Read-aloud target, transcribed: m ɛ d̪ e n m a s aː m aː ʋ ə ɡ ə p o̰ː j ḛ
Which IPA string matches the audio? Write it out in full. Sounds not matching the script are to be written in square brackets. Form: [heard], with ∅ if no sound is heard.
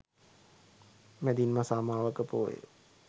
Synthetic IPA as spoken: m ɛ d̪ [i] n m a s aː m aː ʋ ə [k] ə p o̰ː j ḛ